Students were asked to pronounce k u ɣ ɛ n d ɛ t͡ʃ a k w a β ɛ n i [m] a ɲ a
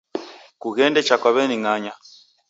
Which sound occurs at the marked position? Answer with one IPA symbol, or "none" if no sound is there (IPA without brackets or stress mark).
ŋ